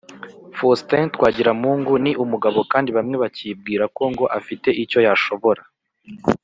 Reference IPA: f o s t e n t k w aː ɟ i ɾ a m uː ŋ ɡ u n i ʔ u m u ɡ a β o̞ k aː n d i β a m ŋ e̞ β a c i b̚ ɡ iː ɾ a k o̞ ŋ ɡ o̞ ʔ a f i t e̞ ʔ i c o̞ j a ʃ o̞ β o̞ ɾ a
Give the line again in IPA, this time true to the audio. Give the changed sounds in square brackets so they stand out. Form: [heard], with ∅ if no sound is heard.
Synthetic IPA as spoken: f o s t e n t k w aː ɟ i ɾ a m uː ŋ ɡ u n i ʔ u m u ɡ a β o̞ k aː n d i β a m ŋ e̞ β a c i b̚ ɡ iː ɾ a k o̞ ŋ ɡ o̞ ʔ a f i t e̞ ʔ i c o̞ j a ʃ o̞ β o̞ ɾ a